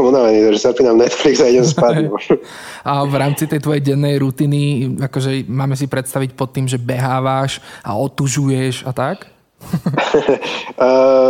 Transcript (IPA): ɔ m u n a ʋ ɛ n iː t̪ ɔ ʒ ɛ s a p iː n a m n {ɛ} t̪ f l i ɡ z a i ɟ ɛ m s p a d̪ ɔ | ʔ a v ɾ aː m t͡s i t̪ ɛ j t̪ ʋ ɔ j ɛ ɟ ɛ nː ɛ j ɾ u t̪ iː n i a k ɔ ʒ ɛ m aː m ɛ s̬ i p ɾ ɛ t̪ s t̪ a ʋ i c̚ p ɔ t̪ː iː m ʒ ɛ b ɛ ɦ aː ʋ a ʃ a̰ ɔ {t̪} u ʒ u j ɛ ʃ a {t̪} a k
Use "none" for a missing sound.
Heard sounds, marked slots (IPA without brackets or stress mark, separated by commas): ɛ, t̪, t̪